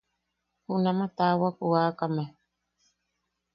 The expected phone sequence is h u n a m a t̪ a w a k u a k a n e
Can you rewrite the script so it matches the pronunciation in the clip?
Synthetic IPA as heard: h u n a m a t̪ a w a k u a k a m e